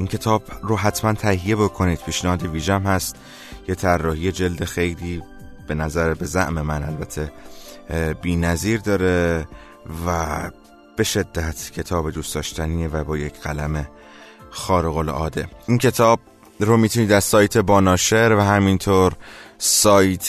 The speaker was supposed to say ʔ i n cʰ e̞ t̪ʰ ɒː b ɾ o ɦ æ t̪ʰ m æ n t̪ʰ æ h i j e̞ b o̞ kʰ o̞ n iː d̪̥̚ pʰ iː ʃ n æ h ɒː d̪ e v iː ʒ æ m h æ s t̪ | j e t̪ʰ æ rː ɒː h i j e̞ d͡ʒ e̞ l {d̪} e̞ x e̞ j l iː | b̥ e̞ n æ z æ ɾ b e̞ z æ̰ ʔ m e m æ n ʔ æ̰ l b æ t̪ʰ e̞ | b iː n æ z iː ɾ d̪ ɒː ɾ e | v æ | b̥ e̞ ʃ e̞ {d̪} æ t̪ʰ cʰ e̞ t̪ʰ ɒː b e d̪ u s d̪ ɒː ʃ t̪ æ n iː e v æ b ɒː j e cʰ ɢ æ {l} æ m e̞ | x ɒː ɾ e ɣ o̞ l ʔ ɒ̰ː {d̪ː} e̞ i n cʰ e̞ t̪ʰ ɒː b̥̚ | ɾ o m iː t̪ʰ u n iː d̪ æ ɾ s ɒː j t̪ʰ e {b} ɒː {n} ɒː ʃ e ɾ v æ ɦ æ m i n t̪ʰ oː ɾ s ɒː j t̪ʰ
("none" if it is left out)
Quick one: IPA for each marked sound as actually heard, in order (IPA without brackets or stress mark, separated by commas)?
d̪, d̪ː, l, d̪, b, n